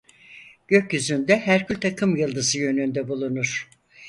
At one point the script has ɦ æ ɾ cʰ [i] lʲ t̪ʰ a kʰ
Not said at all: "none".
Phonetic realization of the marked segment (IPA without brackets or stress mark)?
y